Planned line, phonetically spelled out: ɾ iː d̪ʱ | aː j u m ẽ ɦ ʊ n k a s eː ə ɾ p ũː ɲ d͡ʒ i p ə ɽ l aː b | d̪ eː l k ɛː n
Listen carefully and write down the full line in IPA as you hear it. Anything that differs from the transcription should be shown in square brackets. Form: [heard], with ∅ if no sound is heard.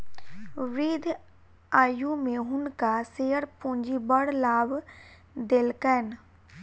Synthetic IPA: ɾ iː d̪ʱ | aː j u m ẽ ɦ ʊ n k a s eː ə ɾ p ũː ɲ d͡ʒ i [b] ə ɽ l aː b | d̪ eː l k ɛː n

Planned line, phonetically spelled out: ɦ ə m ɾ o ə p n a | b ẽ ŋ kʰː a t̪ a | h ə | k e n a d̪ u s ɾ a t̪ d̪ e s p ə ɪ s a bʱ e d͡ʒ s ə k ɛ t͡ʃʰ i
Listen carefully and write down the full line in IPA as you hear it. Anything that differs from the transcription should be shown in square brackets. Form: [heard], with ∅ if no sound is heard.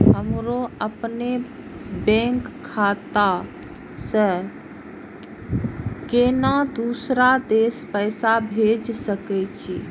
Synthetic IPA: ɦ ə m ɾ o ə p n [e] | b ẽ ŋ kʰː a t̪ a | [s] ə | k e n a d̪ u s ɾ a [∅] d̪ e s p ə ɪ s a bʱ e d͡ʒ s ə k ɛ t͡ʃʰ i

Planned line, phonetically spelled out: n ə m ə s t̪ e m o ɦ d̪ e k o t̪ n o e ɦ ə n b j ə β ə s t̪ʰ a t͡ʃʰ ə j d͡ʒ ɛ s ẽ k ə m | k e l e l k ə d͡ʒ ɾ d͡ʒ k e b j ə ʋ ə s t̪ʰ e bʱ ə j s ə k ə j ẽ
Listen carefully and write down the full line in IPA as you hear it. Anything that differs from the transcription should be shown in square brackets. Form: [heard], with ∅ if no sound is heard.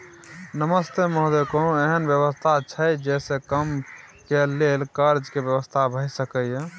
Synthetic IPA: n ə m ə s t̪ e m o ɦ d̪ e k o [∅] n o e ɦ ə n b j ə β ə s t̪ʰ a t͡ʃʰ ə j d͡ʒ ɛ s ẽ k ə m | k e l e l k ə [∅] ɾ d͡ʒ k e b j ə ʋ ə s t̪ʰ [a] bʱ ə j s ə k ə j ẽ

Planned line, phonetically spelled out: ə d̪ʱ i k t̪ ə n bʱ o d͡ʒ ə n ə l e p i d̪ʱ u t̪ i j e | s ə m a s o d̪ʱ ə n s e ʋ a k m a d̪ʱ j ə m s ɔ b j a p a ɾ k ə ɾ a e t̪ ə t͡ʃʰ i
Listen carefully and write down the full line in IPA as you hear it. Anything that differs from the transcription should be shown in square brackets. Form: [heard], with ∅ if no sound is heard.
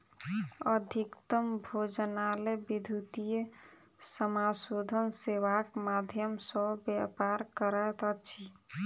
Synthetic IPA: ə d̪ʱ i k t̪ ə [m] bʱ o d͡ʒ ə n [a] l e [b] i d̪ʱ u t̪ i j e | s ə m a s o d̪ʱ ə n s e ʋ a k m a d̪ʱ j ə m s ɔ b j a p a ɾ k ə ɾ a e t̪ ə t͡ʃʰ i

